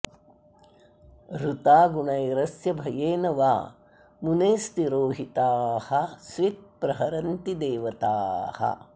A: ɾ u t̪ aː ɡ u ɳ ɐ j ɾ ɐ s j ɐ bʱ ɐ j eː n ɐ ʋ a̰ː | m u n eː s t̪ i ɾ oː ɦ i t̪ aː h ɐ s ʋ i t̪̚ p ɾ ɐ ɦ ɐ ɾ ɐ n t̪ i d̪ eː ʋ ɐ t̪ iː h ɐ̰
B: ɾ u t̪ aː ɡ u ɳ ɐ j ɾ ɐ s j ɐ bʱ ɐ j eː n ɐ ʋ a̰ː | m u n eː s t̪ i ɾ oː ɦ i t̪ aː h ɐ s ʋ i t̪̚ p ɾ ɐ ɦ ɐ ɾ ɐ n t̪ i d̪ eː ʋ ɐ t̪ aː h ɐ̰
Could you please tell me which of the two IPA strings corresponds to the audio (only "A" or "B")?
B